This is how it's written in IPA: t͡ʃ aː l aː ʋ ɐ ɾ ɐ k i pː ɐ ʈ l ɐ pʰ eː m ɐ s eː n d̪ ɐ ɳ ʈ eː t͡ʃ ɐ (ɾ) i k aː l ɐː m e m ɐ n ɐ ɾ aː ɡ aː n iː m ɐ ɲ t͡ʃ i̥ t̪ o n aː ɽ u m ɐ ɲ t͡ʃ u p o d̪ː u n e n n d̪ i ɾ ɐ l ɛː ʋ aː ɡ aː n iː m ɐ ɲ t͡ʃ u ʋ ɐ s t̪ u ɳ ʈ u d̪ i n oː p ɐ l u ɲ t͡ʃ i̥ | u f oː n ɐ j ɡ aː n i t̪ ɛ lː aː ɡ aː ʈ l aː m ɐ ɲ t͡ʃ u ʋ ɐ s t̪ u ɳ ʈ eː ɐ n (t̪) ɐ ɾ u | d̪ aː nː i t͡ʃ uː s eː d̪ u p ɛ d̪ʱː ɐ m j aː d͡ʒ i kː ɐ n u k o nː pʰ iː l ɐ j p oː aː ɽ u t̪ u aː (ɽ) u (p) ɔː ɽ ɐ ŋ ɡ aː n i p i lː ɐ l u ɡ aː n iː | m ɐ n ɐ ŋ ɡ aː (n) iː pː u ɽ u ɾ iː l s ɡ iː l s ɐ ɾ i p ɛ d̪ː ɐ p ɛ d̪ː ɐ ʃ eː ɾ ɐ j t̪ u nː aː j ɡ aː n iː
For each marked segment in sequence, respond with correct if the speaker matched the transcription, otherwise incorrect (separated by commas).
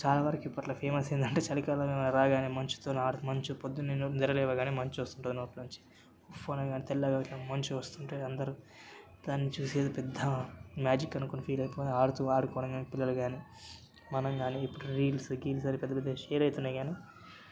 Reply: incorrect, incorrect, correct, incorrect, correct